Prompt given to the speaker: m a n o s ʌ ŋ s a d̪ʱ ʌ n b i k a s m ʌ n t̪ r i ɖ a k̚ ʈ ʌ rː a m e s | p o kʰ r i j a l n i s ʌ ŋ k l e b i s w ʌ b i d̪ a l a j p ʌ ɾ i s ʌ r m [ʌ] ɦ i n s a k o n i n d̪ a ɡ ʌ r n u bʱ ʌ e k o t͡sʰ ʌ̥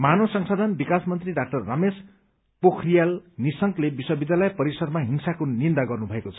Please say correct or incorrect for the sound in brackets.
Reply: incorrect